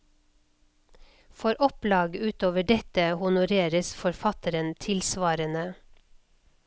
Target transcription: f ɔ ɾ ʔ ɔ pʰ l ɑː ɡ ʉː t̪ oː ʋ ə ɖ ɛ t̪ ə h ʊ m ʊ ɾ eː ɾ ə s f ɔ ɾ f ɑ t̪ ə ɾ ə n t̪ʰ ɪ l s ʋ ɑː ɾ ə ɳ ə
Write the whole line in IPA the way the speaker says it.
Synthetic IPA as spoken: f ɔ ɾ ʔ ɔ p l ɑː ɡ ʉː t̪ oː ʋ ə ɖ ɛ t̪ ə h ʊ n ʊ ɾ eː ɾ ə s f ɔ ɾ f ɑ t̪ ə ɾ ə n t̪ʰ ɪ l s ʋ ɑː ɾ ə n ə

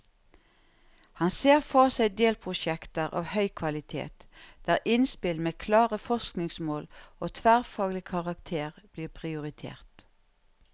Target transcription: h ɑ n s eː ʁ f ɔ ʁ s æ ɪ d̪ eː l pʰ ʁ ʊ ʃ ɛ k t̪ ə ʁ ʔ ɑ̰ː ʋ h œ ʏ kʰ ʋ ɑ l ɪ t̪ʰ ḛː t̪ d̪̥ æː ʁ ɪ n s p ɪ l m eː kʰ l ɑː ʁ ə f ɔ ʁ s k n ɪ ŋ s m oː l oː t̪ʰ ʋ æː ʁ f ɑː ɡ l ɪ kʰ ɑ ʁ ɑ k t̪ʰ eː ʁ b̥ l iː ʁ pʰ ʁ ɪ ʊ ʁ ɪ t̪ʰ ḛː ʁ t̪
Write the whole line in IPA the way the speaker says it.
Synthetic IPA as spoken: h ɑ n s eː ʁ f ɔ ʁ s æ ɪ d̪ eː l pʰ ʁ ʊ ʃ ɛ k t̪ ə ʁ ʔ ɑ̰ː ʋ h œ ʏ kʰ ʋ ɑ l ɪ t̪ʰ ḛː t̪ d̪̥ æː ʁ ɪ n s p ɪ l m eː kʰ l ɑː ʁ ə f ɔ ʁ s k n ɪ ŋ s m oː l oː t̪ʰ ʋ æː ʁ f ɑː ɡ l ɪ kʰ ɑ ʁ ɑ k t̪ʰ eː ʁ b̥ l iː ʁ pʰ ʁ ɪ ʊ ʁ ɪ t̪ʰ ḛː ʁ t̪

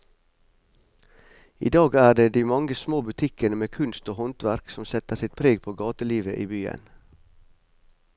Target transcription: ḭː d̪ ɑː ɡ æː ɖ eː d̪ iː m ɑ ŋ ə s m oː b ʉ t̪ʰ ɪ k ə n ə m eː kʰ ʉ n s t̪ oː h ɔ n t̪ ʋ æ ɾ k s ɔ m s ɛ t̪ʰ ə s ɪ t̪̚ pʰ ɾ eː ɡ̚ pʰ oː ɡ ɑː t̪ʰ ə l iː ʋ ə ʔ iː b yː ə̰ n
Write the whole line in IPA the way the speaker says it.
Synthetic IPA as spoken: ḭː d̪ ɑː ɡ æː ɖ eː d̪ iː m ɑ ŋ ə s m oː b ʉ t̪ʰ ɪ k ə n ə m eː kʰ ʉ n s t̪ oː h ɔ n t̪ ʋ æ ɾ k s ɔ m s ɛ t̪ ə s ɪ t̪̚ pʰ ɾ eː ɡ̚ pʰ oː ɡ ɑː t̪ ə l iː ʋ ə ʔ iː b yː ə̰ n

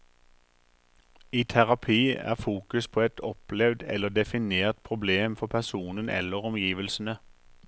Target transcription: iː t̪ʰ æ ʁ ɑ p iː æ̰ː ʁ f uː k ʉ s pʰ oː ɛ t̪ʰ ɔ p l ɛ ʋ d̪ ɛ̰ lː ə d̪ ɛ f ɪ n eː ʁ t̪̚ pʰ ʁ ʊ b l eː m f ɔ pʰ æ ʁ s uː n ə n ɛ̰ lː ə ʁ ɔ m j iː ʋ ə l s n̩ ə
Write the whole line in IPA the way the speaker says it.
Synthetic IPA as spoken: iː t̪ʰ æ ʁ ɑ pʰ iː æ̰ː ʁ f uː k ʉ s pʰ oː ɛ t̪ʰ ɔ p l ɛ ʋ d̪ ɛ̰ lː ə d̪ ɛ f ɪ n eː ʁ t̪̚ pʰ ʁ ʊ b l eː m f ɔ pʰ æ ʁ s uː n ə n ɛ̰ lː ə ʁ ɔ m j iː ʋ ə l s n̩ ə

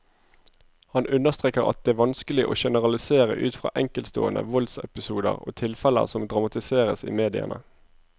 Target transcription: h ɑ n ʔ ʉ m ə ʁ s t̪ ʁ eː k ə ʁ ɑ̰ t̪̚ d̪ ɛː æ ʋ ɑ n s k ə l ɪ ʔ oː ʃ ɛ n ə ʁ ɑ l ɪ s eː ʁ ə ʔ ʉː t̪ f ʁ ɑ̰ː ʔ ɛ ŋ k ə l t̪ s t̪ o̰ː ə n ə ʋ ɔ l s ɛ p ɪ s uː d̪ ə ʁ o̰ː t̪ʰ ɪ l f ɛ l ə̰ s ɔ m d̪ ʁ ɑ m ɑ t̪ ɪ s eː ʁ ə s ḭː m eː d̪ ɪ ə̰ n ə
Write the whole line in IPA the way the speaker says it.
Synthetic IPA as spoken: h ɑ n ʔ ʉ n ə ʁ s t̪ ʁ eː k ə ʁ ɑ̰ t̪̚ d̪ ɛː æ ʋ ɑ n s k ə l ɪ ʔ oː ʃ ɛ n ə ʁ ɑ l ɪ s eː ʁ ə ʔ ʉː t̪ f ʁ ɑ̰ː ʔ ɛ ŋ k ə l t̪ s t̪ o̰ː ə n ə ʋ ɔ l s ɛ p ɪ s uː d̪ ə ʁ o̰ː t̪ʰ ɪ l f ɛ l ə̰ s ɔ m d̪ ʁ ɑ m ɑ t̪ ɪ s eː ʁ ə s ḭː m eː d̪ ɪ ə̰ n ə

